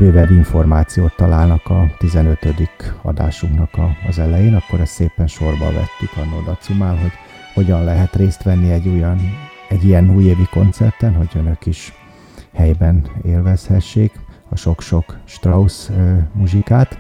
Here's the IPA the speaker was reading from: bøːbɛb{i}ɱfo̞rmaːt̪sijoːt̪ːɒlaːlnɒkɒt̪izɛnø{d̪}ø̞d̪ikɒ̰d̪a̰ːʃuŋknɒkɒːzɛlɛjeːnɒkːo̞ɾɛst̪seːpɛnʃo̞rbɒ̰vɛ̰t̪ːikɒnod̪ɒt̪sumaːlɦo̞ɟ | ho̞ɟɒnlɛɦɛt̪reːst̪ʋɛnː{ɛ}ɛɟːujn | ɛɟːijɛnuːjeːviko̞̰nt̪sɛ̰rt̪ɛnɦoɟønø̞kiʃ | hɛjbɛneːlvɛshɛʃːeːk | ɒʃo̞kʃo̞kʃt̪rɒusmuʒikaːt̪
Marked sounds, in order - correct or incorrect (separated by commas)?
correct, incorrect, incorrect